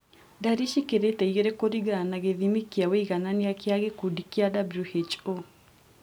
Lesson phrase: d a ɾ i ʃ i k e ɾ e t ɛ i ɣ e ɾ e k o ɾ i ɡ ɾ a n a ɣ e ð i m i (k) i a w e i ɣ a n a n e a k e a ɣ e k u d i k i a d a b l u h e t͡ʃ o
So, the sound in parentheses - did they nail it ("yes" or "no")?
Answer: yes